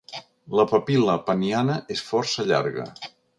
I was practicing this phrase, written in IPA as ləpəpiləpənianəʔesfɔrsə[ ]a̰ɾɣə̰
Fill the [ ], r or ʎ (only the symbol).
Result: ʎ